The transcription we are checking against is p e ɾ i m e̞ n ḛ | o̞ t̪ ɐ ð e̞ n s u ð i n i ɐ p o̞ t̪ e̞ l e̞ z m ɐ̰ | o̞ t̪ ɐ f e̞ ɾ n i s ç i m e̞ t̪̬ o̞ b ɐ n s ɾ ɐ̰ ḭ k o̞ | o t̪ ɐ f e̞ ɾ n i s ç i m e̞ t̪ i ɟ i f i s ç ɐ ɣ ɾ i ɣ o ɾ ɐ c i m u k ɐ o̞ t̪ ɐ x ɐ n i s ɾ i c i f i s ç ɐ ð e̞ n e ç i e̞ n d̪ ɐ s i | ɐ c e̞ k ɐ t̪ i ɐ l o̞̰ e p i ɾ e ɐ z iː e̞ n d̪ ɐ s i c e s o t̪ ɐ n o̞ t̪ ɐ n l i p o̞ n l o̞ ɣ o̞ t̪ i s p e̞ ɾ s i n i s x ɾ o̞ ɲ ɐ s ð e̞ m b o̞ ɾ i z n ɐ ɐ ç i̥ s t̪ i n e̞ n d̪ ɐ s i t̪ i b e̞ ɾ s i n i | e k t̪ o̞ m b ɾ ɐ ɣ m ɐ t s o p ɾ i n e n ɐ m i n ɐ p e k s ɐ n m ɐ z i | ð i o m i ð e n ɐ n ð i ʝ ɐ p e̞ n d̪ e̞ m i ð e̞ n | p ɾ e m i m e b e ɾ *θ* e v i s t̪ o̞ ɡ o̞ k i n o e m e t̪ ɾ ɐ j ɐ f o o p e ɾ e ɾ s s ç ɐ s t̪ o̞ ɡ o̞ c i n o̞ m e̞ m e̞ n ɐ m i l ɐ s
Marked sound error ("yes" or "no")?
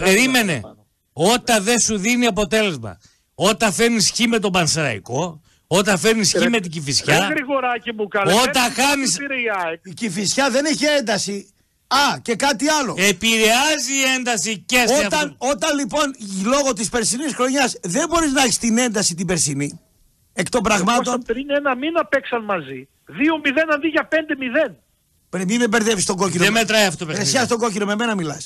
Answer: yes